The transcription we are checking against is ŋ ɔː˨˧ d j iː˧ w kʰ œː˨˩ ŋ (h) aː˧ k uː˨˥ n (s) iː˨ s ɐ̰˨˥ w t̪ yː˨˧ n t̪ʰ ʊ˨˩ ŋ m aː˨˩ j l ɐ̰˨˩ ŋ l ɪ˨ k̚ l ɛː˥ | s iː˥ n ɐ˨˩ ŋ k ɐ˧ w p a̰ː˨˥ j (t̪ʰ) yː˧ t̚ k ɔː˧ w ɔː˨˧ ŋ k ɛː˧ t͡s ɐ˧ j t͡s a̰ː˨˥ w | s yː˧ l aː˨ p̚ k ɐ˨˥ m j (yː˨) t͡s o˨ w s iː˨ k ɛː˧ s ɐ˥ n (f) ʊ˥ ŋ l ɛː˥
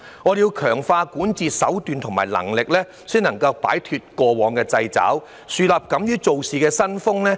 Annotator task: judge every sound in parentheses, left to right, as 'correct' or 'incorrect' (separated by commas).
incorrect, incorrect, correct, incorrect, correct